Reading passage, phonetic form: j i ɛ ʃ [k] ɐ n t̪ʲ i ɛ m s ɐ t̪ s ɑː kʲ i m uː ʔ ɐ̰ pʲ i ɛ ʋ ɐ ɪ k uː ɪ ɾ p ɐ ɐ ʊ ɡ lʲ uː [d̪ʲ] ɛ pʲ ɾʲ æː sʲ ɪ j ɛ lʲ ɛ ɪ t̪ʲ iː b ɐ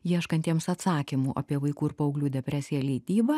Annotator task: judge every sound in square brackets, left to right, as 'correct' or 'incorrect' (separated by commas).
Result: correct, correct